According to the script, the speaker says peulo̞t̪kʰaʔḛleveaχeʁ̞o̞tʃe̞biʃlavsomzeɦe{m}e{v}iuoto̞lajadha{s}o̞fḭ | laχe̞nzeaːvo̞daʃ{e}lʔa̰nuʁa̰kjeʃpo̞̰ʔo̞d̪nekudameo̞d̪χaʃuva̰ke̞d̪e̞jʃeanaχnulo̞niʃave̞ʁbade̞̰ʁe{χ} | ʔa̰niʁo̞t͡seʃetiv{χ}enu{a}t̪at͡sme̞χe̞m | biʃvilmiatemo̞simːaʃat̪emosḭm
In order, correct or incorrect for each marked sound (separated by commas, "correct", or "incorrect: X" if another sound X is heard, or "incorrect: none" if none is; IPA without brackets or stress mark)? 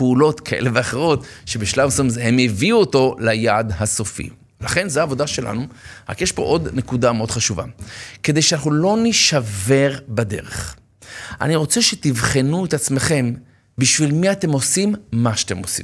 correct, correct, correct, correct, correct, correct, incorrect: e